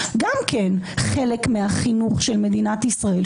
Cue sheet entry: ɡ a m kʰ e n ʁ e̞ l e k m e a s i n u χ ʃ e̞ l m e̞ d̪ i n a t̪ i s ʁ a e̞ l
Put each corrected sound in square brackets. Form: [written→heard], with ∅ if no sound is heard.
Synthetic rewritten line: ɡ a m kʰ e n [ʁ→χ] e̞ l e k m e a [s→χ] i n u χ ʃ e̞ l m e̞ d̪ i n a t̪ i s ʁ a e̞ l